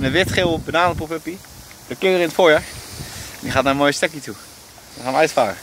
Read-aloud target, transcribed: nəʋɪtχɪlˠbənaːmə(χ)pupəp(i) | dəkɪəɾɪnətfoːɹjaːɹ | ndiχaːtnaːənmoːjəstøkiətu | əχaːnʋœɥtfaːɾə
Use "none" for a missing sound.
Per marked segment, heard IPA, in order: none, i

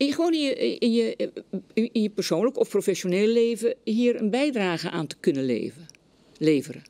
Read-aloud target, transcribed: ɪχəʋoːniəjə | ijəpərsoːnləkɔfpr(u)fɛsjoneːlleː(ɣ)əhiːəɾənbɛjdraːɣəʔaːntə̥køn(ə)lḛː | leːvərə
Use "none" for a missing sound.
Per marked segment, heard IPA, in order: o, v, ə

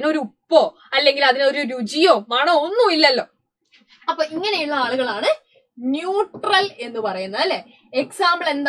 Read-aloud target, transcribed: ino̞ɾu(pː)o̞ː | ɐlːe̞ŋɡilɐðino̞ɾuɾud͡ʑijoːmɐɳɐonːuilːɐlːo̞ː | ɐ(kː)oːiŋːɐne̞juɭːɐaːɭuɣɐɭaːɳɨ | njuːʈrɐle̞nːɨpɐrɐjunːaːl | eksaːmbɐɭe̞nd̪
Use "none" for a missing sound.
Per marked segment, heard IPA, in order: pː, pː

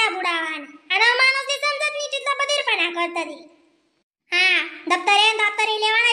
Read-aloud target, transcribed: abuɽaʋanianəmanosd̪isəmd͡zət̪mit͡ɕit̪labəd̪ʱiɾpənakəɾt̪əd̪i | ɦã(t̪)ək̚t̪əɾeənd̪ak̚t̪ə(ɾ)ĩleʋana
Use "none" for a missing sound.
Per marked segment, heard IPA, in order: d̪, ɾ

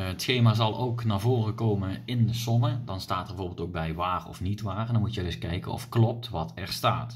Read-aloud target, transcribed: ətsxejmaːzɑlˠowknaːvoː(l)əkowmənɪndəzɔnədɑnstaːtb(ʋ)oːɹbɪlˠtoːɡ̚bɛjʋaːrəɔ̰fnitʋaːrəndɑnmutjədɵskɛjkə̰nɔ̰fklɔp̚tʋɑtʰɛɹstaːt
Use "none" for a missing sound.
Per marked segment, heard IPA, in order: r, v

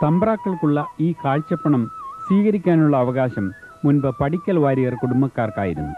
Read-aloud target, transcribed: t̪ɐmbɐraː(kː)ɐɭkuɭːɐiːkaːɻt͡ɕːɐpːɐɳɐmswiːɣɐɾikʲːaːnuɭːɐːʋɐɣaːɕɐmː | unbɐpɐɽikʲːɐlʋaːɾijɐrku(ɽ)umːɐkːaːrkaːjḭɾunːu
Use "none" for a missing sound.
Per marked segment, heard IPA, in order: kː, ɽ

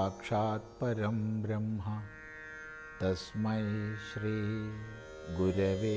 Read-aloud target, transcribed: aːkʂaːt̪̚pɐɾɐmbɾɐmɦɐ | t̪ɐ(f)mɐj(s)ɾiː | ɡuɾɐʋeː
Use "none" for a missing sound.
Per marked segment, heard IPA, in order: s, ʃ

